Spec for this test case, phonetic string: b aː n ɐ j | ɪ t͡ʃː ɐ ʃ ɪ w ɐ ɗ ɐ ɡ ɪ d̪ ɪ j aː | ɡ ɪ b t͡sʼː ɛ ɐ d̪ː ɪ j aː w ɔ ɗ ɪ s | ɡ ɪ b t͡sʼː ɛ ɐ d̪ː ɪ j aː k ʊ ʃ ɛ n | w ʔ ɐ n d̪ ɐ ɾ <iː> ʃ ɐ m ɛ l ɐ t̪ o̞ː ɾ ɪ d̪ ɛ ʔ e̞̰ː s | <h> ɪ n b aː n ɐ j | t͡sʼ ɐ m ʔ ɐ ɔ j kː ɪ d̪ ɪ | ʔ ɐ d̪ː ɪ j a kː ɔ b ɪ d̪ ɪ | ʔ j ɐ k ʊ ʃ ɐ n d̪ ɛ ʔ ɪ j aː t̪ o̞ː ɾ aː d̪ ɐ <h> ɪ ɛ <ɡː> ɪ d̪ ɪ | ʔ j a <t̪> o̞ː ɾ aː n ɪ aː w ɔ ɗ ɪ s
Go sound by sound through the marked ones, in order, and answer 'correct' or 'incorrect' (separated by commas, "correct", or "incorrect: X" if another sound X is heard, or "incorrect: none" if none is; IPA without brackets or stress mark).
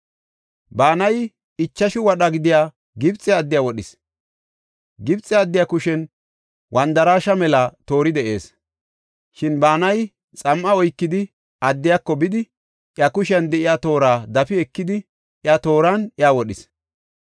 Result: incorrect: aː, incorrect: ʃ, incorrect: f, incorrect: kː, correct